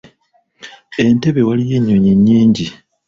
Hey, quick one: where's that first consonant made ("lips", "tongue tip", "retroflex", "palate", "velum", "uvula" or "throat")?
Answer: tongue tip